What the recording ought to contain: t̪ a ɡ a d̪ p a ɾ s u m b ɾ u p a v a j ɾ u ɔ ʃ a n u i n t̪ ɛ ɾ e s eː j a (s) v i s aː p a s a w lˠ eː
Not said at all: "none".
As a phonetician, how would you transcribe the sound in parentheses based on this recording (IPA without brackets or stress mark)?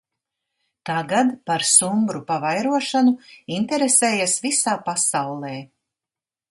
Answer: s